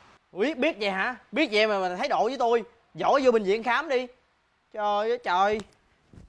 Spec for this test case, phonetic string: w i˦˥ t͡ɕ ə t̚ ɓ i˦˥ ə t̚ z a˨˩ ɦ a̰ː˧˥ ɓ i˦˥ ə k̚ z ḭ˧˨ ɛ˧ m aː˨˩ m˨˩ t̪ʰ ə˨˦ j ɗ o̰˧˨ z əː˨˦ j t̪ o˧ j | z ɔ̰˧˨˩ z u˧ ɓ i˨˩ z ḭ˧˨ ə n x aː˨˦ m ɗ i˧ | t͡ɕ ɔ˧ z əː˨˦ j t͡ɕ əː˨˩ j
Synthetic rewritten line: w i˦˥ ə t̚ ɓ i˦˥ ə t̚ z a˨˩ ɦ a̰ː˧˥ ɓ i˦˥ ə t̚ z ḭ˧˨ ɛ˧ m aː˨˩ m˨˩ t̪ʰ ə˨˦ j ɗ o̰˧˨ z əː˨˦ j t̪ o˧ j | z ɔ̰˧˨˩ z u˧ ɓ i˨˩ z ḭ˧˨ ə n x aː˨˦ m ɗ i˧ | t͡ɕ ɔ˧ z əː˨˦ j t͡ɕ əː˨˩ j